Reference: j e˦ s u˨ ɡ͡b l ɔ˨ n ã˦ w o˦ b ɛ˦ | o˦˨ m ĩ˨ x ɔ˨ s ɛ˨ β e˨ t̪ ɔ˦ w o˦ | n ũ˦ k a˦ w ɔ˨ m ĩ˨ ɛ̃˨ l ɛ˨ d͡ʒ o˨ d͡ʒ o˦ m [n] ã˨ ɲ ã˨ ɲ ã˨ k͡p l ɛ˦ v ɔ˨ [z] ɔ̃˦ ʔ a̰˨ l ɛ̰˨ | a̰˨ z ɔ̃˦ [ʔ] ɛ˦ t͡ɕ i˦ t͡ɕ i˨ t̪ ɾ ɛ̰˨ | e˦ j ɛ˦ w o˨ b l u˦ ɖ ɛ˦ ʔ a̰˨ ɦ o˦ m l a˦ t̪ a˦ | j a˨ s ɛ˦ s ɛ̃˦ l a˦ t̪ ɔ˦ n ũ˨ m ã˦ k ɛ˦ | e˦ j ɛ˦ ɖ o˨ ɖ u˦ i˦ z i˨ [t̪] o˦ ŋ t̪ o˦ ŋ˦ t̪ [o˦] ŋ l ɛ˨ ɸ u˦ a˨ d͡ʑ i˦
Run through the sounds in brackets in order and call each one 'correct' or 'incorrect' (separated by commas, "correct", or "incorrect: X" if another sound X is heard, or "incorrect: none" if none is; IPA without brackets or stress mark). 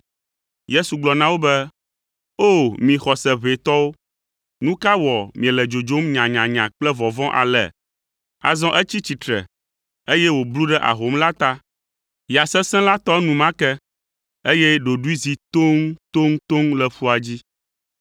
incorrect: ɲ, incorrect: v, correct, correct, correct